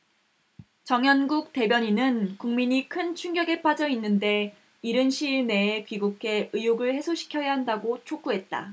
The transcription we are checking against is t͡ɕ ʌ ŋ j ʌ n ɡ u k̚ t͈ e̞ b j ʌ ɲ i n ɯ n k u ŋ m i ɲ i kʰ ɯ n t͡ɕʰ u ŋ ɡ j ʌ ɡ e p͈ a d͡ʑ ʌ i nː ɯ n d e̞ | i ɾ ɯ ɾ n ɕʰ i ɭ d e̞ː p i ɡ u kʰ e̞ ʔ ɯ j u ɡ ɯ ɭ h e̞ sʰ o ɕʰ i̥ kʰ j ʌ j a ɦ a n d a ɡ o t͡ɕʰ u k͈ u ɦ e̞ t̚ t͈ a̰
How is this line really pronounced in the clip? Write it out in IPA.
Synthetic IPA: t͡ɕ ʌ ŋ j ʌ n ɡ u k̚ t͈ e̞ b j ʌ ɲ i n ɯ n k u ŋ m i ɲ i kʰ ɯ n t͡ɕʰ u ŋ ɡ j ʌ ɡ e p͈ a d͡ʑ ʌ i nː ɯ n d e̞ | i ɾ ɯ n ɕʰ i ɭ n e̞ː p i ɡ u kʰ e̞ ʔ ɯ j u ɡ ɯ ɭ h e̞ sʰ o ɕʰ i̥ kʰ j ʌ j a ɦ a n d a ɡ o t͡ɕʰ o k͈ u ɦ e̞ t̚ t͈ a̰

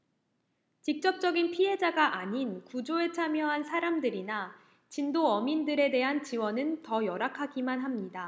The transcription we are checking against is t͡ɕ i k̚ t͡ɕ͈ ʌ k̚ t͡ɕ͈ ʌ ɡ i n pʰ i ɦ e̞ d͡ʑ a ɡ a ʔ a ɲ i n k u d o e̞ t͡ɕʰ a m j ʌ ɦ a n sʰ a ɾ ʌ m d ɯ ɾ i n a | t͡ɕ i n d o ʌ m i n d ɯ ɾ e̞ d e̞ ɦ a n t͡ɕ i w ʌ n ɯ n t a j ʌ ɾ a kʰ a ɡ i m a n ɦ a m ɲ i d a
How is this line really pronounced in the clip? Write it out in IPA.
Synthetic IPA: t͡ɕ i k̚ t͡ɕ͈ ʌ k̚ t͡ɕ͈ ʌ ɡ i n pʰ i ɦ e̞ d͡ʑ a ɡ a ʔ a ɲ i n k u d͡ʑ o e̞ t͡ɕʰ a m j ʌ ɦ a n sʰ a ɾ a m d ɯ ɾ i n a | t͡ɕ i n d o ʌ m i n d ɯ ɾ e̞ d e̞ ɦ a n t͡ɕ i w ʌ n ɯ n t ʌ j ʌ ɾ a kʰ a ɡ i m a n ɦ a m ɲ i d a

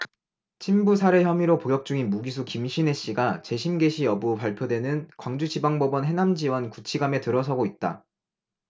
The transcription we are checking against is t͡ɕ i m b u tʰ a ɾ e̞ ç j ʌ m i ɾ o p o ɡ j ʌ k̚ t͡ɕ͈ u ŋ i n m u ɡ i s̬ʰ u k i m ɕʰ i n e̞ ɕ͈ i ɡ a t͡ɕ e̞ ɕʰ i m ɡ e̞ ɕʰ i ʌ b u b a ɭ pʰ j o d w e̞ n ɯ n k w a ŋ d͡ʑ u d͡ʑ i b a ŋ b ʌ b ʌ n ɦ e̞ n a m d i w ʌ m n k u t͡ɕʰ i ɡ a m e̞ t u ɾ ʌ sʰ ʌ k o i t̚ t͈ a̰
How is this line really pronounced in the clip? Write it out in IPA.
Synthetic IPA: t͡ɕʰ i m b u sʰ a ɾ e̞ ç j ʌ m i ɾ o p o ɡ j ʌ k̚ t͡ɕ͈ u ŋ i n m u ɡ i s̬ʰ u k i m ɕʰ i n e̞ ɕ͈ i ɡ a t͡ɕ e̞ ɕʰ i m ɡ e̞ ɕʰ i ʌ b u p a ɭ pʰ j o d w e̞ n ɯ n k w a ŋ d͡ʑ u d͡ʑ i b a ŋ b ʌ b ʌ n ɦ e̞ n a m d͡ʑ i w ʌ n k u t͡ɕʰ i ɡ a m e̞ t ɯ ɾ ʌ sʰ ʌ ɡ o i t̚ t͈ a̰

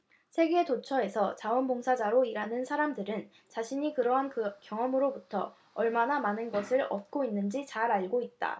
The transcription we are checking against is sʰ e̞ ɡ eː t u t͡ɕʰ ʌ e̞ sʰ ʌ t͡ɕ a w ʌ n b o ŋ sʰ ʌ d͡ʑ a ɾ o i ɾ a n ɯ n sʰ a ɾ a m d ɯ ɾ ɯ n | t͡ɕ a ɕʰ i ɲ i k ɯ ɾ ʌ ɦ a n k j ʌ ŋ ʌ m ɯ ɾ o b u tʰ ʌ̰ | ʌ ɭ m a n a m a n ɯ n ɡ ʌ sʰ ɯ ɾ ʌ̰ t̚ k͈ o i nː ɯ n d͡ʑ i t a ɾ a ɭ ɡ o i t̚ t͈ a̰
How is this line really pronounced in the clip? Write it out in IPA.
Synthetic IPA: sʰ e̞ ɡ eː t o t͡ɕʰ ʌ e̞ sʰ ʌ t͡ɕ a w ʌ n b o ŋ sʰ a d͡ʑ a ɾ o i ɾ a n ɯ n sʰ a ɾ a m d ɯ ɾ ɯ n | t͡ɕ a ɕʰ i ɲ i k ɯ ɾ ʌ ɦ a n k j ʌ ŋ ʌ m ɯ ɾ o b u tʰ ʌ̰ | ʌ ɭ m a n a m a n ɯ n ɡ ʌ sʰ ɯ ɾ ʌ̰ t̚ k͈ o i nː ɯ n d͡ʑ i t͡ɕ a ɾ a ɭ ɡ o i t̚ t͈ a̰

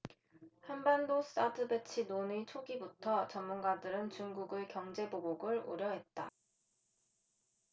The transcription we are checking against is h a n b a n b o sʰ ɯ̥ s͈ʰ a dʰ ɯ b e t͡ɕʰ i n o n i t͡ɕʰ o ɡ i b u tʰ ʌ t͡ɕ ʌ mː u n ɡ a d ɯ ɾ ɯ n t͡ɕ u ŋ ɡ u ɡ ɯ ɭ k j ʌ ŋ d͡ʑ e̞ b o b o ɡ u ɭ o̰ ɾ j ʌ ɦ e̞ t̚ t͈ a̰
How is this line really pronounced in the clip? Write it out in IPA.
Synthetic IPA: h a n b a n d o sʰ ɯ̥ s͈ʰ a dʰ ɯ b e t͡ɕʰ i n o n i t͡ɕʰ o ɡ i b u tʰ ʌ t͡ɕ ʌ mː u n ɡ a d ɯ ɾ ɯ n t͡ɕ u ŋ ɡ u ɡ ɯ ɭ k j ʌ ŋ d͡ʑ e̞ b o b o ɡ ɯ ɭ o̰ ɾ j ʌ ɦ e̞ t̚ t͈ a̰

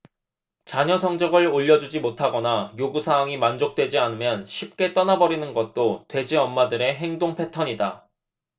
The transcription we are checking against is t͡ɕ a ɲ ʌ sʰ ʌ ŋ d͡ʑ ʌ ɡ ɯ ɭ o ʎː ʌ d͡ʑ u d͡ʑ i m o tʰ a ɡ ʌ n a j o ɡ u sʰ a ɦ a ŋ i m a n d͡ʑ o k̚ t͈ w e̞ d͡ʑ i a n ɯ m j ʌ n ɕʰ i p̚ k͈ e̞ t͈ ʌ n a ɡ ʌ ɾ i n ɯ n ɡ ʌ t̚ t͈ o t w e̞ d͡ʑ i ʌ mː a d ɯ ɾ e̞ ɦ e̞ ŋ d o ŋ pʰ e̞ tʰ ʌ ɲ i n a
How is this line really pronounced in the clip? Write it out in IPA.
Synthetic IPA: t͡ɕ a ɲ ʌ sʰ ʌ ŋ d͡ʑ ʌ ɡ ɯ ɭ o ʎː ʌ d͡ʑ u d͡ʑ i m o tʰ a ɡ ʌ n a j o ɡ u sʰ a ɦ a ŋ i m a n d͡ʑ o k̚ t͈ w e̞ d͡ʑ i a n ɯ m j ʌ n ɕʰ i p̚ k͈ e̞ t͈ ʌ n a b ʌ ɾ i n ɯ n ɡ ʌ t̚ t͈ o t w e̞ d͡ʑ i ʌ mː a d ɯ ɾ e̞ ɦ e̞ ŋ d o ŋ pʰ e̞ tʰ ʌ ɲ i d a

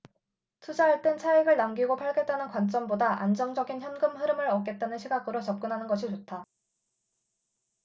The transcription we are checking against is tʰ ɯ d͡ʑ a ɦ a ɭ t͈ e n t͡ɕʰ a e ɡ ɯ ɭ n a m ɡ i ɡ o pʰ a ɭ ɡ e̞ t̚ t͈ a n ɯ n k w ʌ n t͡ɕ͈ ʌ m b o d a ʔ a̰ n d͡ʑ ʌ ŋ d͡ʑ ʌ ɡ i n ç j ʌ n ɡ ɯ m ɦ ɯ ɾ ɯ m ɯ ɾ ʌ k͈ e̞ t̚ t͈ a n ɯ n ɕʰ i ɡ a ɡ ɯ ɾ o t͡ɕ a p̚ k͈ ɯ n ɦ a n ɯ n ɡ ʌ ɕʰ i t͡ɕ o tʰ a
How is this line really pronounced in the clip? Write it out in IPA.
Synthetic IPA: tʰ u d͡ʑ a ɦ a ɭ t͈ e n t͡ɕʰ a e ɡ ɯ ɭ n a m ɡ i ɡ o pʰ a ɭ ɡ e̞ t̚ t͈ a n ɯ n k w a n t͡ɕ͈ ʌ m b o d a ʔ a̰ n d͡ʑ ʌ ŋ d͡ʑ ʌ ɡ i n ç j ʌ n ɡ ɯ m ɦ ɯ ɾ ɯ m ɯ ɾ ʌ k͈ e̞ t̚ t͈ a n ɯ n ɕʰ i ɡ a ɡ ɯ ɾ o t͡ɕ ʌ p̚ k͈ ɯ n ɦ a n ɯ n ɡ ʌ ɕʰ i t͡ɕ o tʰ a

